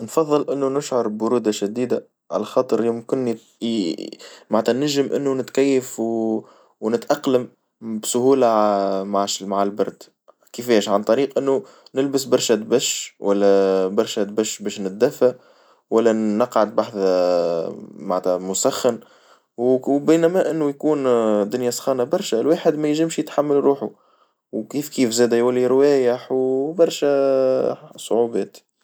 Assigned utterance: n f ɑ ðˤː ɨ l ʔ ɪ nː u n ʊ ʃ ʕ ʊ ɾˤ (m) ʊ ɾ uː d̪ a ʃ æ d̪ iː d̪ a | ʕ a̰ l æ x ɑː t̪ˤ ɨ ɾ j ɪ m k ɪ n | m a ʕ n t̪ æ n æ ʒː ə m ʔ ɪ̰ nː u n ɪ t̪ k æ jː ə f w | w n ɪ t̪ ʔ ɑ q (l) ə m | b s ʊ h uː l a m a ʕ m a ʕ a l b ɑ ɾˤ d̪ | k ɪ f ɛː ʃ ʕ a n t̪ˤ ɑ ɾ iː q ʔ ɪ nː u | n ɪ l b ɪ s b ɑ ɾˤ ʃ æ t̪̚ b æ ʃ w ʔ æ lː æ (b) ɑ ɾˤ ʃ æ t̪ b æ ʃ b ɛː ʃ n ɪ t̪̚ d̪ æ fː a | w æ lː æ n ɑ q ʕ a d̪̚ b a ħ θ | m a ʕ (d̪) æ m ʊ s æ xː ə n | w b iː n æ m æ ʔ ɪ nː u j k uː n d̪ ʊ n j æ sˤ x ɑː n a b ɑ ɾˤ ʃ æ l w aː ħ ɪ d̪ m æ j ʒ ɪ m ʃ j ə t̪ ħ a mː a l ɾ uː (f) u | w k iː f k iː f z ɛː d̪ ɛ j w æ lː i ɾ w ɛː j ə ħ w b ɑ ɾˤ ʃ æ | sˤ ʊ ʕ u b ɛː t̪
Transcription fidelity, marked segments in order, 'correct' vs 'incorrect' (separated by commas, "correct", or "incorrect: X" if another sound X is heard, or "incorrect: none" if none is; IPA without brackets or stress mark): incorrect: b, correct, correct, incorrect: t̪, incorrect: ħ